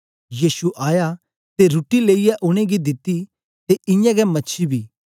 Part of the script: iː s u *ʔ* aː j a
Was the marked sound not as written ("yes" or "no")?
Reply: no